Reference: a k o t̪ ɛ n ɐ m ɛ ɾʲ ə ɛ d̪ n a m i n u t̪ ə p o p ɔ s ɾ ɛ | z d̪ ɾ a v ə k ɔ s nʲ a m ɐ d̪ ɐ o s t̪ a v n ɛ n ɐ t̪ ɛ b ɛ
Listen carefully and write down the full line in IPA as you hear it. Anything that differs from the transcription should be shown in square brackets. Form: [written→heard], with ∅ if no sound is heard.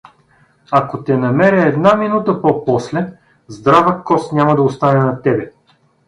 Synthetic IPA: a k o t̪ ɛ n ɐ m ɛ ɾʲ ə ɛ d̪ n a m i n u t̪ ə p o p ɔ s [ɾ→l] ɛ | z d̪ ɾ a v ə k ɔ s nʲ a m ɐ d̪ ɐ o s t̪ a [v→∅] n ɛ n ɐ t̪ ɛ b ɛ